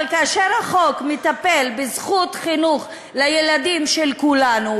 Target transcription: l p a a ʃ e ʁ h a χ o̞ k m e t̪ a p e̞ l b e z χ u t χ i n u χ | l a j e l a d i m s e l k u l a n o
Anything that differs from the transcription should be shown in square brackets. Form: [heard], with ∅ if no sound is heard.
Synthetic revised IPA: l [k] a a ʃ e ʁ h a χ o̞ k m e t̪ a p e̞ l b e z χ u t χ i n u χ | l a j e l a d i m [ʃ] e l k u l a n [u]